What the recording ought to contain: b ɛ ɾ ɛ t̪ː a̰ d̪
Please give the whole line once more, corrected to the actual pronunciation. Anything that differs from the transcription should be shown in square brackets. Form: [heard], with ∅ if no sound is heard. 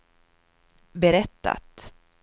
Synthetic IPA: b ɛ ɾ ɛ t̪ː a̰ [t̪]

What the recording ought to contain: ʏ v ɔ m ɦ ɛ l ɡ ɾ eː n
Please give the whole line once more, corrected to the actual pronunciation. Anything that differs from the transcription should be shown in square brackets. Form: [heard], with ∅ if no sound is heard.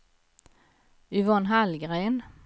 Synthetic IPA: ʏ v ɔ [n] ɦ [a] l ɡ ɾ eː n

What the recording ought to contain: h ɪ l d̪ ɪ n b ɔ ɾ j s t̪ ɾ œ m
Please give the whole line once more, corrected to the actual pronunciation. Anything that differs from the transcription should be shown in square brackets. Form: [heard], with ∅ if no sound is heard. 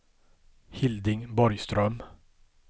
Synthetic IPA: h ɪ l d̪ ɪ [ŋ] b ɔ ɾ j s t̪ ɾ œ m

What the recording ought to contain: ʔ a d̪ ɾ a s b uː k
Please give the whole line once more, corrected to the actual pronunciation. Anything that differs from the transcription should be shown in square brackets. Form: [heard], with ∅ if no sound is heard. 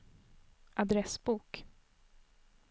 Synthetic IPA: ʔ a d̪ ɾ [ɛ] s b uː k

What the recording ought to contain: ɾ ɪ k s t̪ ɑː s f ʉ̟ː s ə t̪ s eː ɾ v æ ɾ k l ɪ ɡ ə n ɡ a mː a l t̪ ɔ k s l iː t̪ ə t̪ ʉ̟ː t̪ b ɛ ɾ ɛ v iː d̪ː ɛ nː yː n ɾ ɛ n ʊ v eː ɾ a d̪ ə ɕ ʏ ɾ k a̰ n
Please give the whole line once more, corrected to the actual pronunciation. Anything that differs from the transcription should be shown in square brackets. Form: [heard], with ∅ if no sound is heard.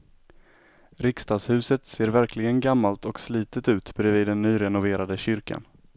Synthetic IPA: ɾ ɪ k s t̪ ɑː s [h] ʉ̟ː s ə t̪ s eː ɾ v æ ɾ k l ɪ ɡ ə n ɡ a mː a l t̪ ɔ k s l iː t̪ ə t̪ ʉ̟ː t̪ b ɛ ɾ ɛ v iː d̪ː ɛ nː yː [∅] ɾ ɛ n ʊ v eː ɾ a d̪ ə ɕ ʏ ɾ k a̰ n

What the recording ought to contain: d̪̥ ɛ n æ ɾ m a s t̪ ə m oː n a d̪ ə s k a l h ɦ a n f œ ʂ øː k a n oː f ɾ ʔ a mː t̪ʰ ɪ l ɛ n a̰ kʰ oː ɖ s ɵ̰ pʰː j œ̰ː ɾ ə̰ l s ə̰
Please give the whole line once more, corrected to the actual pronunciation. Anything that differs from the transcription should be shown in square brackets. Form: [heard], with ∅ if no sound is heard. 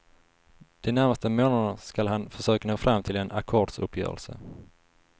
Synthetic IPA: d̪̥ ɛ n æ ɾ m a s t̪ ə m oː n a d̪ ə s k a l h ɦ a n f œ ʂ øː k a n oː f ɾ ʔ a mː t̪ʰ ɪ l ɛ n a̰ kʰ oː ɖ s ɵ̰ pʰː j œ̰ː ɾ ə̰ l s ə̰

